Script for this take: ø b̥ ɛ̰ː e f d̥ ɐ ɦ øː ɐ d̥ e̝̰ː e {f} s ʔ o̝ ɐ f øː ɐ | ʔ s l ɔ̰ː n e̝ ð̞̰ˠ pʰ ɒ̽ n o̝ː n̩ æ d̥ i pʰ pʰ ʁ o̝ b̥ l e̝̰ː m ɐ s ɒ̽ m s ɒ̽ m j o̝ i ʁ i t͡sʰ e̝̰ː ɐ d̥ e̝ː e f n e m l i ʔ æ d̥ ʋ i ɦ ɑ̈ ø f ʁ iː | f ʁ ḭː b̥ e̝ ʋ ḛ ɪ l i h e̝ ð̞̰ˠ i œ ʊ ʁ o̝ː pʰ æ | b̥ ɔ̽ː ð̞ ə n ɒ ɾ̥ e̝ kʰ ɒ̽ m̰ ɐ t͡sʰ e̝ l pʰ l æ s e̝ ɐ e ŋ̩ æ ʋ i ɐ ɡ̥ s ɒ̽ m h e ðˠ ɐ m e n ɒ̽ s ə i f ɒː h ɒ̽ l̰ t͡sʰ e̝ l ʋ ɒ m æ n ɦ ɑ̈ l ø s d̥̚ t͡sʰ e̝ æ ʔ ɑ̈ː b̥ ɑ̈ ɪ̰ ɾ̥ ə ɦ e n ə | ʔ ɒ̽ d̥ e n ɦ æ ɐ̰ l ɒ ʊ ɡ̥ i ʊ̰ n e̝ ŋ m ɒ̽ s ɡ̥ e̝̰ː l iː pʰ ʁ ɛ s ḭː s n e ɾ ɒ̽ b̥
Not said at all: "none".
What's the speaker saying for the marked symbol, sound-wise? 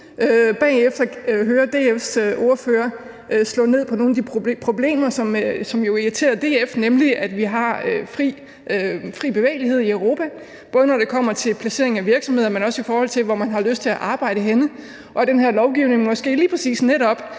f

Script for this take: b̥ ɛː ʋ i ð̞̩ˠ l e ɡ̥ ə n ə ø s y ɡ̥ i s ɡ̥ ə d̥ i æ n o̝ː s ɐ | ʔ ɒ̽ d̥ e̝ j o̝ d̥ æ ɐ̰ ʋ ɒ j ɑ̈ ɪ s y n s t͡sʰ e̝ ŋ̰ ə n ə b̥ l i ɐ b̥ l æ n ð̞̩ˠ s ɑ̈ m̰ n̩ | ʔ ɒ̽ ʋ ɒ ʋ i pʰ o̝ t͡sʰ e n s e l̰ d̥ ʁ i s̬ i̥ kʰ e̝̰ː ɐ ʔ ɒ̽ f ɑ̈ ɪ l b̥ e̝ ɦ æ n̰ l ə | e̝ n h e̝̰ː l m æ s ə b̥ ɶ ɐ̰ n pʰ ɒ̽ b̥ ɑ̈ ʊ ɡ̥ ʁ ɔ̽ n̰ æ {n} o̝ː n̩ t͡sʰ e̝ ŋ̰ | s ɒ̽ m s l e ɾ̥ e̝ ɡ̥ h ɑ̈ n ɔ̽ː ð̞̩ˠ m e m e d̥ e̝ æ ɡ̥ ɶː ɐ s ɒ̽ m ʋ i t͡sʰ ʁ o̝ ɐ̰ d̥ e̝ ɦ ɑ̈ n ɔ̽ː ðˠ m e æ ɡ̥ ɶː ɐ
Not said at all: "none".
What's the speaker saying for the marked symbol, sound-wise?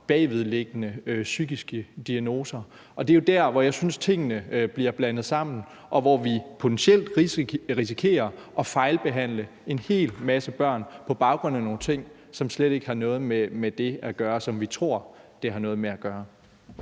n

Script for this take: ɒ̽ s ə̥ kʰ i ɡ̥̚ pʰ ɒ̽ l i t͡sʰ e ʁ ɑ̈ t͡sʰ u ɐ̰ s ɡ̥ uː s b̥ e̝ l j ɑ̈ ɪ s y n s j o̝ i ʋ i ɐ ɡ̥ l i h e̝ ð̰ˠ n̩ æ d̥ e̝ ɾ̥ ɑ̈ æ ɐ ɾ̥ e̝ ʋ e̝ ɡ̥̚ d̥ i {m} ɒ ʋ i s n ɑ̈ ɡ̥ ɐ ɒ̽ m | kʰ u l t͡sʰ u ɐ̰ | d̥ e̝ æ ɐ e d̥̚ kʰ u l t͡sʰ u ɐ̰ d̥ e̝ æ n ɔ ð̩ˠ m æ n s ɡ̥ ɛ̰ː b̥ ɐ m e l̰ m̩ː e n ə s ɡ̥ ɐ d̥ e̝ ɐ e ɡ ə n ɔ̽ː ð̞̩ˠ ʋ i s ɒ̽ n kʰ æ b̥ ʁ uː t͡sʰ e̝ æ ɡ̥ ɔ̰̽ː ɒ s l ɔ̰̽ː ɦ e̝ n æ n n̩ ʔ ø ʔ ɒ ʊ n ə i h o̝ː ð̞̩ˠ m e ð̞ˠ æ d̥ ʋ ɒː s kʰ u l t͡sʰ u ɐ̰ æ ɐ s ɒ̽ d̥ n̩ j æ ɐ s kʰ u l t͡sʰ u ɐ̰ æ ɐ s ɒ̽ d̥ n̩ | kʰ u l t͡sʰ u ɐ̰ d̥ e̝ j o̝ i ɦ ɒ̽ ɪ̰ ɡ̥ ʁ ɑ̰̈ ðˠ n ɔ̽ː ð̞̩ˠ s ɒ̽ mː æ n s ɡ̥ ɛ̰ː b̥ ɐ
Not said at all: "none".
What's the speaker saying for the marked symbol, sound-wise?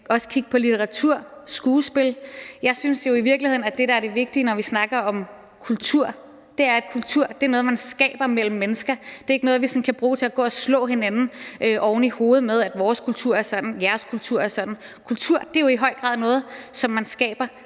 n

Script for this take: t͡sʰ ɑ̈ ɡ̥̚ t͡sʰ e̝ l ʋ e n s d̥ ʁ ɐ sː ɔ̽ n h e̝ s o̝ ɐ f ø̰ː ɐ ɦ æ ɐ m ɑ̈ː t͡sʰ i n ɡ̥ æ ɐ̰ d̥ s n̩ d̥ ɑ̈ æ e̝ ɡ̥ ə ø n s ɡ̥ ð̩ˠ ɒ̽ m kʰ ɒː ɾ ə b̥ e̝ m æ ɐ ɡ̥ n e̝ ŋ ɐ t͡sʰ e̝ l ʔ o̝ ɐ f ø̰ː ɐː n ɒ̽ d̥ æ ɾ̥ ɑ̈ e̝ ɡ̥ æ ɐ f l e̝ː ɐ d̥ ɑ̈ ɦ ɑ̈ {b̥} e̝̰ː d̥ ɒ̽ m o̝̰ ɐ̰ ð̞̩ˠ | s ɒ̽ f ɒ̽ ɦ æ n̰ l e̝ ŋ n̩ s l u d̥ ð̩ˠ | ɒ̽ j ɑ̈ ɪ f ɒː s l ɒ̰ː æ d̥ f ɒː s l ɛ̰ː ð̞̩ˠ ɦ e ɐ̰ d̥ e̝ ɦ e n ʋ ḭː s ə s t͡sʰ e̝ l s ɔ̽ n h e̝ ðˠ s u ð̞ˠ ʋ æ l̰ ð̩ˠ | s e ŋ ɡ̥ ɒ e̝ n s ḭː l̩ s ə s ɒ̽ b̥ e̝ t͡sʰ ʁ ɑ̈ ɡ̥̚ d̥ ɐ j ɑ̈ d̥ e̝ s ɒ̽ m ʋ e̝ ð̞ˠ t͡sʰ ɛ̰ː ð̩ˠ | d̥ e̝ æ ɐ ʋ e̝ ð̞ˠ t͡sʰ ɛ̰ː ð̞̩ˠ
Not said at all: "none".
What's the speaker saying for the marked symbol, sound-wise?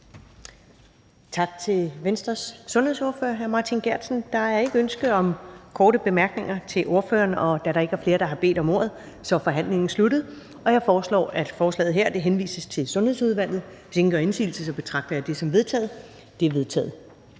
b̥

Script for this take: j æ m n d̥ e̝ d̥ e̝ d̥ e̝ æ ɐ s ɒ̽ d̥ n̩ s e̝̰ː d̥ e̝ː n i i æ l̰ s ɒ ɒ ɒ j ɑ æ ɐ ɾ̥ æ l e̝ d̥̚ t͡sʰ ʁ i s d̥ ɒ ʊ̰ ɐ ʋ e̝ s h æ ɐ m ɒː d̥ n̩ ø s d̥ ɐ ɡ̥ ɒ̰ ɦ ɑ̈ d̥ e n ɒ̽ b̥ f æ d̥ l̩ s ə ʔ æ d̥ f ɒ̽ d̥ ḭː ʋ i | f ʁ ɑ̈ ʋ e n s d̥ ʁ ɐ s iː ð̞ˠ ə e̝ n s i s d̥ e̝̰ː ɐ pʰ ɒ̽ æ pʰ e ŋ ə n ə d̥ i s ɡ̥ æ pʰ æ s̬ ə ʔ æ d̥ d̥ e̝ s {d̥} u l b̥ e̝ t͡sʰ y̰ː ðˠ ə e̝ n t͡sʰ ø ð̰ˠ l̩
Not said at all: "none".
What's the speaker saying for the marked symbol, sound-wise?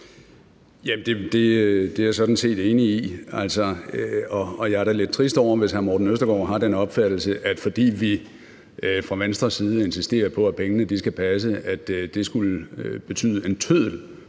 ɡ̥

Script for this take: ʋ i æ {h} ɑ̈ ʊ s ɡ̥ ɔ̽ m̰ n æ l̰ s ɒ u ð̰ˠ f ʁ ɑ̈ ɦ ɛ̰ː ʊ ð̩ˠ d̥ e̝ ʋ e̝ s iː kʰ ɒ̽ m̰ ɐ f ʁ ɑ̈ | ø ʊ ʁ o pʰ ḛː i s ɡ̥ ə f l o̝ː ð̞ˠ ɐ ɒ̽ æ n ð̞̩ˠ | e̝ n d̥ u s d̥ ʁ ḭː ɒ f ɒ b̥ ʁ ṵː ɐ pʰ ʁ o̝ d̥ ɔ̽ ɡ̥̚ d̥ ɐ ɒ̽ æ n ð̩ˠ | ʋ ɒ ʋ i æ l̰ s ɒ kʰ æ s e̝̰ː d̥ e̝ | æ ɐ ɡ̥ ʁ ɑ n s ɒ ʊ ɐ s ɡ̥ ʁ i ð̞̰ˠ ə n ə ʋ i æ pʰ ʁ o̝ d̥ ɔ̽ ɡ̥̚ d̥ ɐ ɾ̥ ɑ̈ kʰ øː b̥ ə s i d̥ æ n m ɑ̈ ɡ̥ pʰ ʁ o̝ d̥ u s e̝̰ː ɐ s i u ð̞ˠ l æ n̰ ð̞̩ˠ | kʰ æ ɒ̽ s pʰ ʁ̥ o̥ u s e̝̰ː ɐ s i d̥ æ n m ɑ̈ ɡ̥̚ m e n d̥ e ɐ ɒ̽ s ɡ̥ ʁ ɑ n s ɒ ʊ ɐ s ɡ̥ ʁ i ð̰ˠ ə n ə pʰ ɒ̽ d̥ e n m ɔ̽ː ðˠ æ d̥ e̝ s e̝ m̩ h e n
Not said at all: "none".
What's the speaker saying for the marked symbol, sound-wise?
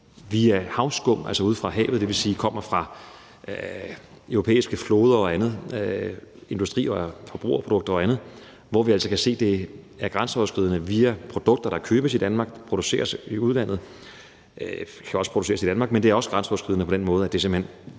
h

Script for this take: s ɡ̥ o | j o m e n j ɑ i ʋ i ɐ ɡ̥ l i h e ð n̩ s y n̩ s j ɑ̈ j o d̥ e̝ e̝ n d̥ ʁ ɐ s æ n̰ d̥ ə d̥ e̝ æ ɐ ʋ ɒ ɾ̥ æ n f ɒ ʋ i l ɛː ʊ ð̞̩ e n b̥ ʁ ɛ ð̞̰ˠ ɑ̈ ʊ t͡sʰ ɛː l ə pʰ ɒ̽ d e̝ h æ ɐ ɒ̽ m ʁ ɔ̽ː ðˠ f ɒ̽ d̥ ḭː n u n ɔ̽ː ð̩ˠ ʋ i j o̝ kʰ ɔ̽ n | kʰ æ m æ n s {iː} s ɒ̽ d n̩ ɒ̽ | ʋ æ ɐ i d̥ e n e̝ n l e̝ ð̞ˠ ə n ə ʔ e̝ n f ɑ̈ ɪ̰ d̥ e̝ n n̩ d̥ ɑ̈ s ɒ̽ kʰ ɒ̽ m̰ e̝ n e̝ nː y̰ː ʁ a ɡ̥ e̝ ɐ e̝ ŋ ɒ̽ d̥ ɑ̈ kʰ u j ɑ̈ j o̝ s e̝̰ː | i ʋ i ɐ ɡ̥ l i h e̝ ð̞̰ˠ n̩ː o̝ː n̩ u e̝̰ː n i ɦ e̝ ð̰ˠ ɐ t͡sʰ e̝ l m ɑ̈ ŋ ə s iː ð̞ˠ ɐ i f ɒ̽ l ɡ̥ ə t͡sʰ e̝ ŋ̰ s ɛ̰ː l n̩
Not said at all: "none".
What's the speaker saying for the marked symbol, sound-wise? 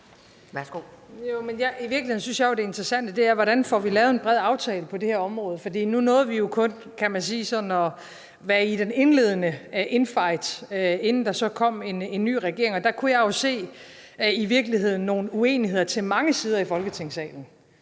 iː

